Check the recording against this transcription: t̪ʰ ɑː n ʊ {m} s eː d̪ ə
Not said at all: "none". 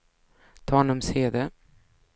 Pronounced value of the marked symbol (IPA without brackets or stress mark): m